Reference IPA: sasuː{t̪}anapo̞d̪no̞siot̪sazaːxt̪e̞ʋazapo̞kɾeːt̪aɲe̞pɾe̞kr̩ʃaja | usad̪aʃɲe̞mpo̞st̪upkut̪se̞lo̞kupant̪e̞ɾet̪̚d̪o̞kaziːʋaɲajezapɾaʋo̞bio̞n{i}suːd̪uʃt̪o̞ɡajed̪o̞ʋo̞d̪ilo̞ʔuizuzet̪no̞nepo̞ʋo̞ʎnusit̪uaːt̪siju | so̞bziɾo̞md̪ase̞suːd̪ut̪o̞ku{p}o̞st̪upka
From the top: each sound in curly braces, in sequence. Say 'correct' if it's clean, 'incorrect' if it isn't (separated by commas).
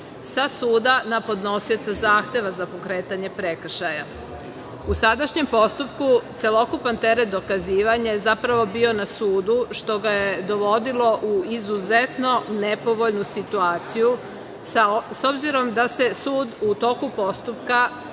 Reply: incorrect, incorrect, correct